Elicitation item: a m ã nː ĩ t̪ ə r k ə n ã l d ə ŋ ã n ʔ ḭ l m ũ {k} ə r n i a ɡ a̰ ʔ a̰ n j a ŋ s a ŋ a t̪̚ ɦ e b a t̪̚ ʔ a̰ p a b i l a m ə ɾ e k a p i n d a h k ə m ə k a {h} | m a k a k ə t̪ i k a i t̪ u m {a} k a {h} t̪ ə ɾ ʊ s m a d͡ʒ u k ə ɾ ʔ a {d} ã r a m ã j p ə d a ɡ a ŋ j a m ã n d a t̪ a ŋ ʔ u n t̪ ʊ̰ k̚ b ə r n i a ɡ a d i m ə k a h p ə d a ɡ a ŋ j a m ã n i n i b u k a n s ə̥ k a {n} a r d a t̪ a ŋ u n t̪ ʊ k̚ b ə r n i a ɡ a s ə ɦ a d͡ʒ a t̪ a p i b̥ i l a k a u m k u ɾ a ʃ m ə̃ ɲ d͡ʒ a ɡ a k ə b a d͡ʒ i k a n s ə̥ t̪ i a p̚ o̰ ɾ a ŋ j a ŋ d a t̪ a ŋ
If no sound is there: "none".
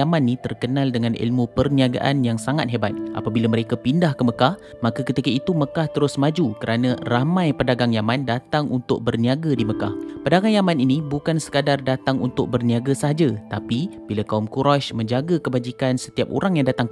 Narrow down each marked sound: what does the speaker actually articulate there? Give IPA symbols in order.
p, h, ə, h, n, d

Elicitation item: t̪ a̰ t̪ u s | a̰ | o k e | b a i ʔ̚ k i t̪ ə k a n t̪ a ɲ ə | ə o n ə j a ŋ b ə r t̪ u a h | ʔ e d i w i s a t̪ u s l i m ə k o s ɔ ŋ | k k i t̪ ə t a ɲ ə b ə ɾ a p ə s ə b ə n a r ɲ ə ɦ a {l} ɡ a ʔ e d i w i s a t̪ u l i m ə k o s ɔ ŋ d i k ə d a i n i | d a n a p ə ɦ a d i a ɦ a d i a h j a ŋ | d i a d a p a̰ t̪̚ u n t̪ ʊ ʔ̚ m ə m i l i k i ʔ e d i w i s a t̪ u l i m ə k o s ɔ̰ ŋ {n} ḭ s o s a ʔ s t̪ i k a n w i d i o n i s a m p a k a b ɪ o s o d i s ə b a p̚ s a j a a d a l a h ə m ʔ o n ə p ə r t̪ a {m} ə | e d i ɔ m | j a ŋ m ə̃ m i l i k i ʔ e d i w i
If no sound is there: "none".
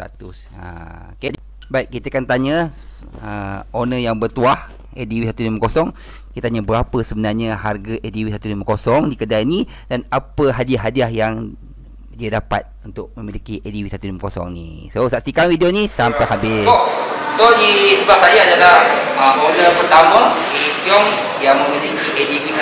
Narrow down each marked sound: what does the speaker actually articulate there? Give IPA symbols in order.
r, n, m

